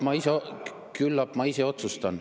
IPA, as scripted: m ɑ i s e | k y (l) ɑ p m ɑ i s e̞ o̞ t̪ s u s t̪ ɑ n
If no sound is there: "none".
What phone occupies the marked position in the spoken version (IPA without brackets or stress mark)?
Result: lː